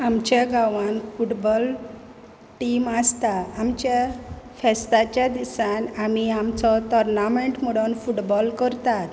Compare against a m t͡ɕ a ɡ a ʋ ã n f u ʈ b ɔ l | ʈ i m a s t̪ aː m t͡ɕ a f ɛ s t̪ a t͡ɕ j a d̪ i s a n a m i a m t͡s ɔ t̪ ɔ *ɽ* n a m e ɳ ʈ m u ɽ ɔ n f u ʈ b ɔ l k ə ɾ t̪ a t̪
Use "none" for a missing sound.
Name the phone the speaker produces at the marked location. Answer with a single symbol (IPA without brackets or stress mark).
ɾ